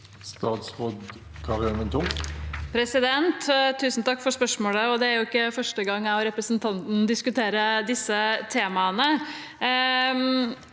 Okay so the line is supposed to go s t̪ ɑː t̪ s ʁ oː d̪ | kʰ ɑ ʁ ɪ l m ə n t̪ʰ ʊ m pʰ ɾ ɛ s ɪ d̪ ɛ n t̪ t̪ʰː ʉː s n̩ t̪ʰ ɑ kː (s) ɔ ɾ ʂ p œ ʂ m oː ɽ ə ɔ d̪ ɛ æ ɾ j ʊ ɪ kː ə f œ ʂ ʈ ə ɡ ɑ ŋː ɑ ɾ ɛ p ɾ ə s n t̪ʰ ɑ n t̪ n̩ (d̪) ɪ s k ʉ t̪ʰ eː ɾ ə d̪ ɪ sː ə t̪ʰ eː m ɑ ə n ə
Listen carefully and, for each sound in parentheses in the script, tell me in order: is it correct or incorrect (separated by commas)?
incorrect, correct